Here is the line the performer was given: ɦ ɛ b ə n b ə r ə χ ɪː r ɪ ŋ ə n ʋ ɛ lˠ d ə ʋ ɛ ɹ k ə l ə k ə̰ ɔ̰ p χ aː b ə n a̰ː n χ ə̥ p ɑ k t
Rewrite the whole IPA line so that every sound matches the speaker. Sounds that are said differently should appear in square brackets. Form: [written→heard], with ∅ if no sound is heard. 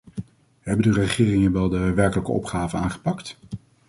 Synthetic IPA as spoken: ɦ ɛ b ə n [b→d] ə r ə χ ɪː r ɪ ŋ ə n ʋ ɛ lˠ d ə ʋ ɛ ɹ k ə l ə k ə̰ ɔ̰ p χ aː [b→v] ə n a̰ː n χ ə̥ p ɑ k t